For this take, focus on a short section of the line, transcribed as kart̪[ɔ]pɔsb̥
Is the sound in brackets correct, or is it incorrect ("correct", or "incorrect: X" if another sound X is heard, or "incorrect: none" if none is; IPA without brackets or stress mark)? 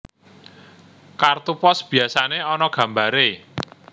incorrect: u